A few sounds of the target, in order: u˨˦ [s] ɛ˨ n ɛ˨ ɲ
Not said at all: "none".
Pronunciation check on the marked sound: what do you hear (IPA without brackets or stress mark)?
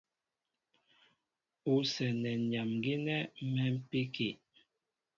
s